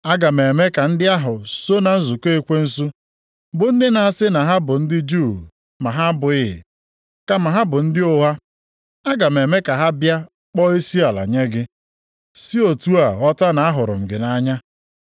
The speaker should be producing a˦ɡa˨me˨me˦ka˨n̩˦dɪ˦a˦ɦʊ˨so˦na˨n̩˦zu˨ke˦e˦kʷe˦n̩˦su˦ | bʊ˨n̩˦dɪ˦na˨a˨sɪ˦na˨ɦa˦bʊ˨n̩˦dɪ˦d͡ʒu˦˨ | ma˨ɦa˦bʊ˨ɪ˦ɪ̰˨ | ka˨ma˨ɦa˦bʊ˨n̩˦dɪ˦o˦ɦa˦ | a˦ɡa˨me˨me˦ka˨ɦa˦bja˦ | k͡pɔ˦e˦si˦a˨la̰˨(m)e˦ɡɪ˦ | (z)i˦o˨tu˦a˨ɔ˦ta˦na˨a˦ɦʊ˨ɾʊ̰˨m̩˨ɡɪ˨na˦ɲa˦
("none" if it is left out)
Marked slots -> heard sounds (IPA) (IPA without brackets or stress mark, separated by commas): ɲ, s